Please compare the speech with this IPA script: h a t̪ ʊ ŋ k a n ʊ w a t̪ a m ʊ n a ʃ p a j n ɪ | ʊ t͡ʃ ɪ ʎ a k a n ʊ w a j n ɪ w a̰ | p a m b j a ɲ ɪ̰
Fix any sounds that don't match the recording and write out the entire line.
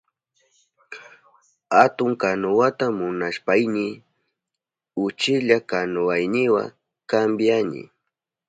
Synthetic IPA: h a t̪ ʊ ŋ k a n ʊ w a t̪ a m ʊ n a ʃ p a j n ɪ | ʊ t͡ʃ ɪ ʎ a k a n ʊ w a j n ɪ w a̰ | k a m b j a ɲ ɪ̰